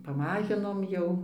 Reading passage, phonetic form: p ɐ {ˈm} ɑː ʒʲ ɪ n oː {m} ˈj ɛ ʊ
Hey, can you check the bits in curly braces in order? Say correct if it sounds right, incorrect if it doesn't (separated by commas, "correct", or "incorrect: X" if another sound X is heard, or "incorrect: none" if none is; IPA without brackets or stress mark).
correct, correct